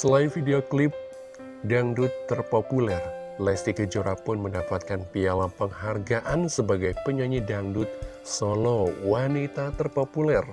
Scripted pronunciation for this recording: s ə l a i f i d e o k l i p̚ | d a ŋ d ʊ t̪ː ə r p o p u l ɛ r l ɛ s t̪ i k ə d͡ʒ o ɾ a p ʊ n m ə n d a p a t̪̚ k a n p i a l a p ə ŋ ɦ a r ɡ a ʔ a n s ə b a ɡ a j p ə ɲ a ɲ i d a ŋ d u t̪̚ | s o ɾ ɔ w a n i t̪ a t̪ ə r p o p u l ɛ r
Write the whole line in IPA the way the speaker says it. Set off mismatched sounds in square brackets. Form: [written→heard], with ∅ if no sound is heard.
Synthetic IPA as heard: s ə l a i f i d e o k l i p̚ | d a ŋ d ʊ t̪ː ə r p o p u l ɛ r l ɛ s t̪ i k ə d͡ʒ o ɾ a p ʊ n m ə n d a p a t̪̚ k a n p i a l a p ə ŋ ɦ a r ɡ a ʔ a n s ə b a ɡ a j p ə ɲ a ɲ i d a ŋ d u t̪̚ | s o [ɾ→l] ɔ w a n i t̪ a t̪ ə r p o p u l ɛ r

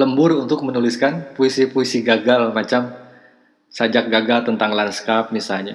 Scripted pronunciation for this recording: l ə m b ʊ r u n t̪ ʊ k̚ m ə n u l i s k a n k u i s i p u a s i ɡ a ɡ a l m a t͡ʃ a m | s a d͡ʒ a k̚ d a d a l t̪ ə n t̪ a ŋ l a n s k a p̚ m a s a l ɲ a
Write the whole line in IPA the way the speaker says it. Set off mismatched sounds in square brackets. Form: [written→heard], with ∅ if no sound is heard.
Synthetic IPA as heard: l ə m b ʊ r u n t̪ ʊ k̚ m ə n u l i s k a n [k→p] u i s i p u [a→i] s i ɡ a ɡ a l m a t͡ʃ a m | s a d͡ʒ a k̚ [d→ɡ] a [d→ɡ] a l t̪ ə n t̪ a ŋ l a n s k a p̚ m [a→i] s a l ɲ a

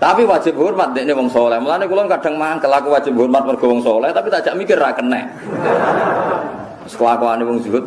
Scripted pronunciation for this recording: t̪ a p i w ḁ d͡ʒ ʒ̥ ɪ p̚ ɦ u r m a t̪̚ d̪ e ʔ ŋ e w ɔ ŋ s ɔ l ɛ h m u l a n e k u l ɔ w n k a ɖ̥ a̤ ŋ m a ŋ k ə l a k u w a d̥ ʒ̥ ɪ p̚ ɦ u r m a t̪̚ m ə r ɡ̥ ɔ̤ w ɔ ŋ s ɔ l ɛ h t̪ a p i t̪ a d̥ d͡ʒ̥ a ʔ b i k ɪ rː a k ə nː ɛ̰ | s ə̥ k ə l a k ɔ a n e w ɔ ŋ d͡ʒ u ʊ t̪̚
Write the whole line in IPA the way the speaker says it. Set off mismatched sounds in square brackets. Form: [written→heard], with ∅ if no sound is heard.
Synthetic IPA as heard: t̪ a p i w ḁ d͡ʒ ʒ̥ ɪ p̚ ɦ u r m a t̪̚ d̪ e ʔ [ŋ→n] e w ɔ ŋ s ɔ l ɛ h m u l a n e k u l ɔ [w→∅] n k a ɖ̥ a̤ ŋ m a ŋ k ə l a k u w a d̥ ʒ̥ ɪ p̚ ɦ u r m a t̪̚ m ə r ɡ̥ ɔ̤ w ɔ ŋ s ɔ l ɛ h t̪ a p i t̪ a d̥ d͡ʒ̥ a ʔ [b→m] i k ɪ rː a k ə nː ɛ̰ | s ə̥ k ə l a k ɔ a n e w ɔ ŋ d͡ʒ u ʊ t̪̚

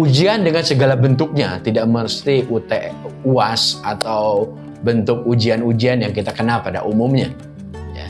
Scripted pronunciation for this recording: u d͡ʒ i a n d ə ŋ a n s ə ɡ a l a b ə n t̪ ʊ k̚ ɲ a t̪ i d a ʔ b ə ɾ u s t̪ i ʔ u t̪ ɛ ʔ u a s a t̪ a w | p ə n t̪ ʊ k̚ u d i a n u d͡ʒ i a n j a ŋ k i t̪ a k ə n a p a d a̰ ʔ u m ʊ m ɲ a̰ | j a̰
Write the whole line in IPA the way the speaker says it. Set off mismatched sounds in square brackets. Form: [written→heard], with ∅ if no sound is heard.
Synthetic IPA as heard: u d͡ʒ i a n d ə ŋ a n s ə ɡ a l a b ə n t̪ ʊ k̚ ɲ a t̪ i d a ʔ [b→m] ə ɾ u s t̪ i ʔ u t̪ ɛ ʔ u a s a t̪ a w | [p→b] ə n t̪ ʊ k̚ u [d→d͡ʒ] i a n u d͡ʒ i a n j a ŋ k i t̪ a k ə n a p a d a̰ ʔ u m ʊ m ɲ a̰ | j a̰

